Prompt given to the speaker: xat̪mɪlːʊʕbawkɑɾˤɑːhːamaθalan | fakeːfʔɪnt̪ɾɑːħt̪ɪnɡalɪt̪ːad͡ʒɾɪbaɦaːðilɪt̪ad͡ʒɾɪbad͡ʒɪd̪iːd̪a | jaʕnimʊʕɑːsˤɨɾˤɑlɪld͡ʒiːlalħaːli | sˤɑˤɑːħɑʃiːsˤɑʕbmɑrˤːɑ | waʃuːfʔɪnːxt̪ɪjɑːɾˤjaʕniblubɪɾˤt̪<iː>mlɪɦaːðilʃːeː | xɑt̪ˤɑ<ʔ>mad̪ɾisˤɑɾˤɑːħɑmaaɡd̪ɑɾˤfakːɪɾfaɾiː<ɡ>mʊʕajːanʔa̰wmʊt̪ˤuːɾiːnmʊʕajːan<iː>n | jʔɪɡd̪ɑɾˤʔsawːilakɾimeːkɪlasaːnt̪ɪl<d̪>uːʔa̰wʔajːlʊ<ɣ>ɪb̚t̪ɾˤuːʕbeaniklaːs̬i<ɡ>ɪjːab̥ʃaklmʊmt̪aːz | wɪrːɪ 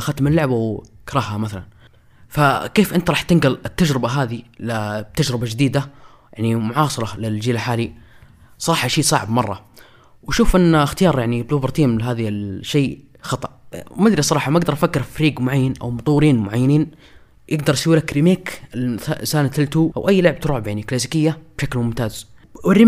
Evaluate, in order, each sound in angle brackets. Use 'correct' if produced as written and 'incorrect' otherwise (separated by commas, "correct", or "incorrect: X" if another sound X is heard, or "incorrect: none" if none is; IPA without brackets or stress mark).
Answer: correct, correct, correct, correct, incorrect: t̪, incorrect: ʕ, incorrect: k